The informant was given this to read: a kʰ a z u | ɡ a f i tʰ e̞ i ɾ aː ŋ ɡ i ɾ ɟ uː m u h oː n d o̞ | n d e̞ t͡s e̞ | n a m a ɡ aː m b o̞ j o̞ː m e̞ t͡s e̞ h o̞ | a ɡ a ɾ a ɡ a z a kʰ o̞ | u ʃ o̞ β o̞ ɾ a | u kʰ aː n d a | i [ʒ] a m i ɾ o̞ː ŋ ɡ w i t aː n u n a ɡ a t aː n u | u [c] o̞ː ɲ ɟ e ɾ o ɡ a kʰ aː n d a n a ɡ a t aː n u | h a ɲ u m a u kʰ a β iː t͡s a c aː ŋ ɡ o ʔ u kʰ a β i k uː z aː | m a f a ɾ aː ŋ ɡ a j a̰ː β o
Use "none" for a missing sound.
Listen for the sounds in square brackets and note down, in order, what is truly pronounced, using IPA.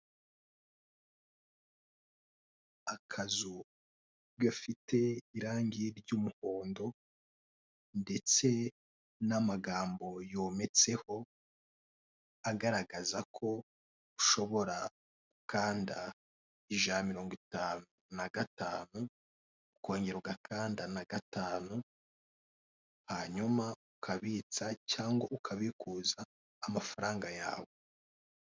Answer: ʒ, k

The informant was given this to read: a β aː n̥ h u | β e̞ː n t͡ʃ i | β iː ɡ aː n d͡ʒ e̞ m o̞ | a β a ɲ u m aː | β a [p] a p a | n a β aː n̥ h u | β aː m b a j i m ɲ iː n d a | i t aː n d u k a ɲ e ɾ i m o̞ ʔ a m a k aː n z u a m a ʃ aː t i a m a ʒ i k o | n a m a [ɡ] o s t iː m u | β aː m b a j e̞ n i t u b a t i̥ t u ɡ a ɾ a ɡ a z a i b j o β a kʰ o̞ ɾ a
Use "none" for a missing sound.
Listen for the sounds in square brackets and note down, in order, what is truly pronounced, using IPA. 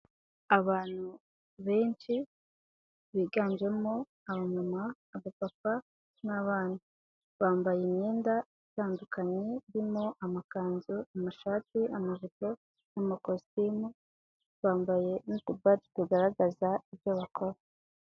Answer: p, k

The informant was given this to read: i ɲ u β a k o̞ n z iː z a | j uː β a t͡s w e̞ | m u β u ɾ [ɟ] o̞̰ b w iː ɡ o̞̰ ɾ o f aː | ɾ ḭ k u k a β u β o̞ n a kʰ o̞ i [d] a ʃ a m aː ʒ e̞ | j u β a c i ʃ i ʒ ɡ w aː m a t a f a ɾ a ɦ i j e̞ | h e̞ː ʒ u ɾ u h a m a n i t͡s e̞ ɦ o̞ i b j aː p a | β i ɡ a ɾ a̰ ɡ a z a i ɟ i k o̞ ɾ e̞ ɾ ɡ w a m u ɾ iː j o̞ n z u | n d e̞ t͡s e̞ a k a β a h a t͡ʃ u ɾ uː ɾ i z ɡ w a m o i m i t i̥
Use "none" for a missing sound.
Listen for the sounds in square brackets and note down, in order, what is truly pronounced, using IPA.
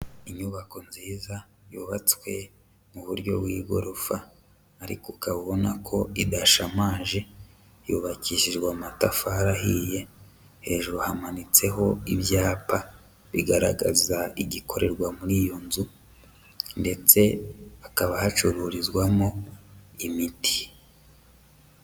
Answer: ɟ, d

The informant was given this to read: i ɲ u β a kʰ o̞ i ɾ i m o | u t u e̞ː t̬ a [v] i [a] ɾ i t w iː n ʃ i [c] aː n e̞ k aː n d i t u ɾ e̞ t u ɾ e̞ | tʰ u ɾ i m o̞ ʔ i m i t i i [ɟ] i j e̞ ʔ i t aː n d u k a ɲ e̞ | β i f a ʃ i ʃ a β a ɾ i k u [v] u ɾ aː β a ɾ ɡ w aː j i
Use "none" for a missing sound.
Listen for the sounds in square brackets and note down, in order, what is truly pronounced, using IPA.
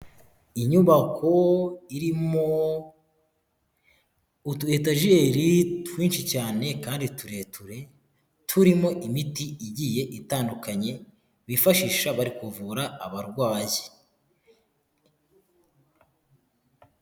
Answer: ʒ, e, c, ɟ, v

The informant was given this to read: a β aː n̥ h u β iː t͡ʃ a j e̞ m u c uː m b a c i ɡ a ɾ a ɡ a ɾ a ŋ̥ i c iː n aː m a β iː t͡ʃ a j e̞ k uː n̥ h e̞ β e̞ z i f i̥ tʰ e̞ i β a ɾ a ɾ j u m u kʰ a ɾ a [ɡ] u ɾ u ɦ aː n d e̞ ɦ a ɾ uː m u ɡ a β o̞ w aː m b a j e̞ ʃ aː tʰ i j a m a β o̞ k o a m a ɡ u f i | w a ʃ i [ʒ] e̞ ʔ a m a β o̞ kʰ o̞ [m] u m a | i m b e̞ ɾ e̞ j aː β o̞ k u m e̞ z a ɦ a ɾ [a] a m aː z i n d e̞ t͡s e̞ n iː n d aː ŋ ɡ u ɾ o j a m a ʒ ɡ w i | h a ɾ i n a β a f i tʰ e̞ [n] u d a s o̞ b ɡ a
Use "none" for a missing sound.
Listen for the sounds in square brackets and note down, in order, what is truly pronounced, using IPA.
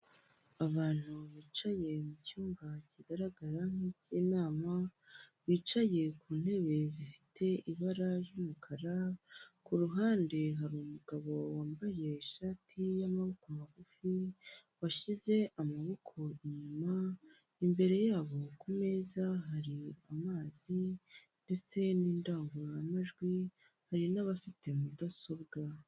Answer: k, z, ɲ, i, m

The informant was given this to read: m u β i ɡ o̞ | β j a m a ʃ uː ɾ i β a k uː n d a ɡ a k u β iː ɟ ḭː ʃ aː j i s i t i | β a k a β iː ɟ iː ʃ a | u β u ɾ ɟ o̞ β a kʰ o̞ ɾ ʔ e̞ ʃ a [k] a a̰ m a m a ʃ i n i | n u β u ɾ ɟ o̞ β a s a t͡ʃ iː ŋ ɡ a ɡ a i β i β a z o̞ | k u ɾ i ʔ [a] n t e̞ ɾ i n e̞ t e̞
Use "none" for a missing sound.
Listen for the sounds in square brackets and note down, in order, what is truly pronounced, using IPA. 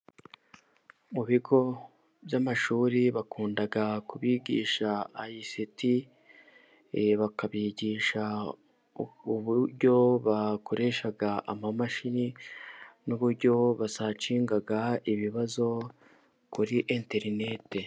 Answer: ɡ, e

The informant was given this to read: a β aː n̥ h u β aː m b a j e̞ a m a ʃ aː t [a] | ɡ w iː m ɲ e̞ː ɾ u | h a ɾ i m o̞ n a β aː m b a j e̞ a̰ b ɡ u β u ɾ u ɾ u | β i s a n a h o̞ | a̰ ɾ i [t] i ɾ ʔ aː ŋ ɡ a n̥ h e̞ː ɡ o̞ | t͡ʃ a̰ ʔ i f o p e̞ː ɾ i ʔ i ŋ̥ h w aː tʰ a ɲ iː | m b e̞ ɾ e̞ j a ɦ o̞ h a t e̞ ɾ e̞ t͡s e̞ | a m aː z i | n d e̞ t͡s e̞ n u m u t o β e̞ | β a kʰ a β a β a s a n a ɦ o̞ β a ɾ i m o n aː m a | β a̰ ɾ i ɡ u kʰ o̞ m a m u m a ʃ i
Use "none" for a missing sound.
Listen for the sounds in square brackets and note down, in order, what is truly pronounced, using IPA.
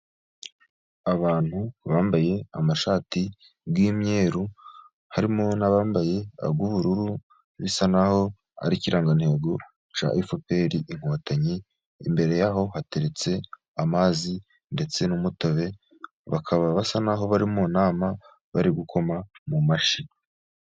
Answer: i, c

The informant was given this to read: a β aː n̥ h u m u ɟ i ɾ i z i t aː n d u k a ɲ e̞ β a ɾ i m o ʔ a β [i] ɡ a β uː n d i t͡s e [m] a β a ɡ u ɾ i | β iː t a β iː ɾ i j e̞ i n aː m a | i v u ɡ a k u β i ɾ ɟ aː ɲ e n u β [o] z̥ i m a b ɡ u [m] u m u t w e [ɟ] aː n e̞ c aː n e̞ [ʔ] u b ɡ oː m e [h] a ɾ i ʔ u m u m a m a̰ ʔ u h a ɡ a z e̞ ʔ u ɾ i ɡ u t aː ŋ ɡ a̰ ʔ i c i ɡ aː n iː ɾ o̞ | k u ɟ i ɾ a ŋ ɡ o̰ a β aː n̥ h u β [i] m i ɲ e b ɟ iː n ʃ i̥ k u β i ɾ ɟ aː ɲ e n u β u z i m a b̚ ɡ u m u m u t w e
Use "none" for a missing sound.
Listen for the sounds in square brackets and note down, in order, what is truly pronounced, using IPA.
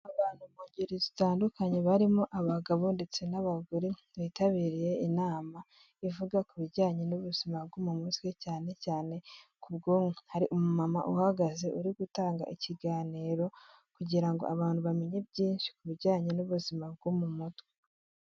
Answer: a, n, u, m, c, k, h, a

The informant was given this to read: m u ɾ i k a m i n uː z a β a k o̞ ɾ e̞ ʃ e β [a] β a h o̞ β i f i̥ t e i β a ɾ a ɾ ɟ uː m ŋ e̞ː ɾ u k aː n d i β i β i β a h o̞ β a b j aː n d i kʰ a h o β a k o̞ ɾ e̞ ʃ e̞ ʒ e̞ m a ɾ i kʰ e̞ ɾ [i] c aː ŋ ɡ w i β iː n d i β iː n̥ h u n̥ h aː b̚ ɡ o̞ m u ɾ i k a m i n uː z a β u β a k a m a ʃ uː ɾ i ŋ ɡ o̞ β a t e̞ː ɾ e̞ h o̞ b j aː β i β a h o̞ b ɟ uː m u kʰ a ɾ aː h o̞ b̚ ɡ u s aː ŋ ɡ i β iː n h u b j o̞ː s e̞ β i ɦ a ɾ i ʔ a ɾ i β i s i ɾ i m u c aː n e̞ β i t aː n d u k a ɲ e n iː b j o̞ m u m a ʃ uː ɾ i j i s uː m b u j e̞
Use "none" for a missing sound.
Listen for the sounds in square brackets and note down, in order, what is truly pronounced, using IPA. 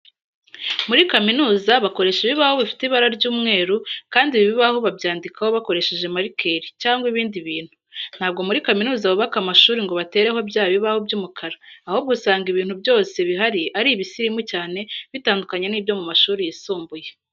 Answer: i, i

